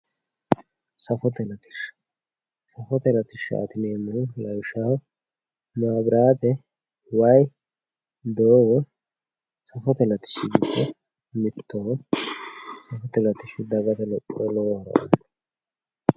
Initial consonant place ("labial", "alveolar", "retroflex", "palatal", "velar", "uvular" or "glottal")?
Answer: alveolar